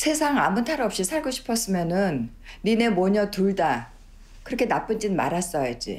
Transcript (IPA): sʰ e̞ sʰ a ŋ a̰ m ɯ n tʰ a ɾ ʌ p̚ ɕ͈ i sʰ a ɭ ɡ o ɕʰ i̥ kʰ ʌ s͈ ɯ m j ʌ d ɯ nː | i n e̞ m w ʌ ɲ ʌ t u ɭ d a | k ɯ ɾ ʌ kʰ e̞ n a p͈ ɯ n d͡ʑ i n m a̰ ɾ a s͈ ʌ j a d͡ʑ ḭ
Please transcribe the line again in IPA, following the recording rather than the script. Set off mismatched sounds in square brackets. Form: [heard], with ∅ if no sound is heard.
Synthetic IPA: sʰ e̞ sʰ a ŋ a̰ m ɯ n tʰ a ɾ ʌ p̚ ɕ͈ i sʰ a ɭ ɡ o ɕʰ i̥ [pʰ] ʌ s͈ ɯ m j ʌ [n] ɯ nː | i n e̞ m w ʌ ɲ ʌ t u ɭ d a | k ɯ ɾ ʌ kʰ e̞ n a p͈ ɯ n d͡ʑ i n m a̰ ɾ a s͈ ʌ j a d͡ʑ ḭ

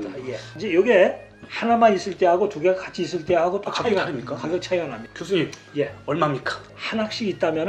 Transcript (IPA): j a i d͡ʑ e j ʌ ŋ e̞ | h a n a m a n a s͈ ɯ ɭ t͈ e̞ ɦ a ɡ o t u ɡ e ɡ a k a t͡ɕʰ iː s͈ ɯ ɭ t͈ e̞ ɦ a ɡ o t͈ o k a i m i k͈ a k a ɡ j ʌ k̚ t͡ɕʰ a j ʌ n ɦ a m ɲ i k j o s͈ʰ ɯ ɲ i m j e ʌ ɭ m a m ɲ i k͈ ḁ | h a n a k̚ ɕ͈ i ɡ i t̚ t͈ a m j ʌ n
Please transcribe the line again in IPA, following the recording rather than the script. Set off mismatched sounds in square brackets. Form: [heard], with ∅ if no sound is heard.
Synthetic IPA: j [e] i d͡ʑ e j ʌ [ɡ] e̞ | h a n a m a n [i] s͈ ɯ ɭ t͈ e̞ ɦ a ɡ o t u ɡ e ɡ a k a t͡ɕʰ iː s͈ ɯ ɭ t͈ e̞ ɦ a ɡ o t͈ o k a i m i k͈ a k a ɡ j ʌ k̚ t͡ɕʰ a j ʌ n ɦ a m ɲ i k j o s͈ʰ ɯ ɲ i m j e ʌ ɭ m a m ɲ i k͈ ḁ | h a n a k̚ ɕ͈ i ɡ i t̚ t͈ a m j ʌ n

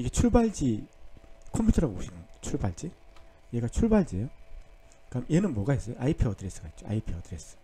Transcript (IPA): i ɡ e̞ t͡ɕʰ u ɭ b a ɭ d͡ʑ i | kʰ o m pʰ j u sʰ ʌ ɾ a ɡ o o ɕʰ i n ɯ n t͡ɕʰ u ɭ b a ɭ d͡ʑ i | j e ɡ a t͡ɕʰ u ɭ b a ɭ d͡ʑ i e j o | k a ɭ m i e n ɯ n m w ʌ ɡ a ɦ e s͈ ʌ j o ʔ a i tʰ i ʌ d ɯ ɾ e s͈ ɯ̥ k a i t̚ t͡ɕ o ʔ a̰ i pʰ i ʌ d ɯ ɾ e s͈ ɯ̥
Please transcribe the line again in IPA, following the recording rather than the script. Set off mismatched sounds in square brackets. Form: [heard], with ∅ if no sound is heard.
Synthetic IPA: i ɡ e̞ t͡ɕʰ u ɭ b a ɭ d͡ʑ i | kʰ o m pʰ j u [tʰ] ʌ ɾ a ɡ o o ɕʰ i n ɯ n t͡ɕʰ u ɭ b a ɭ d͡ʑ i | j e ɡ a t͡ɕʰ u ɭ b a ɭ d͡ʑ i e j o | k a [∅] m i e n ɯ n m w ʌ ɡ a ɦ e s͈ ʌ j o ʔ a i [pʰ] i ʌ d ɯ ɾ e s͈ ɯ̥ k a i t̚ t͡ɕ o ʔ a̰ i pʰ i ʌ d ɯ ɾ e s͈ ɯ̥

